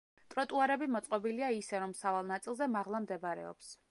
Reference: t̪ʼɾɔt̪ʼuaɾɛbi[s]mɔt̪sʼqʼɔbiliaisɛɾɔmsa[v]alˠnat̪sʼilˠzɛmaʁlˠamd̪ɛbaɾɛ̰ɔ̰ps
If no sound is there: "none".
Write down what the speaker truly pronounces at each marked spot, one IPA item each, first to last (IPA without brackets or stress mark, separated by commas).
none, v